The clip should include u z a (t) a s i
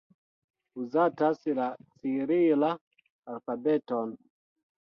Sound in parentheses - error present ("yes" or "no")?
no